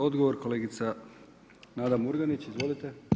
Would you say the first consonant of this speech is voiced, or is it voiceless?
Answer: voiced